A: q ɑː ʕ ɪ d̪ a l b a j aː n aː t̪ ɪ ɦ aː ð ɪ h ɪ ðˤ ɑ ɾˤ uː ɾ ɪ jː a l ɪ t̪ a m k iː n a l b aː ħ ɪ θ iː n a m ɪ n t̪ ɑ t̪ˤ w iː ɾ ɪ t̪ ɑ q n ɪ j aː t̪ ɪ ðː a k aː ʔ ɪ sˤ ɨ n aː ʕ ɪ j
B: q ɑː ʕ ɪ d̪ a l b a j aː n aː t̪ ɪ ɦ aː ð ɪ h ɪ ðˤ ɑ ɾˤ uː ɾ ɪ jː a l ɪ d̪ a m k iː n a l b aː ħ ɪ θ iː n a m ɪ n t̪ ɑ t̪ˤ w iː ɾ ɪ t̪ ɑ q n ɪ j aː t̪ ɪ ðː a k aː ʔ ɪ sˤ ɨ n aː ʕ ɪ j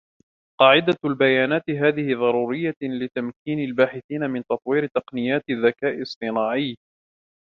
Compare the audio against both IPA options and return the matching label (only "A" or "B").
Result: A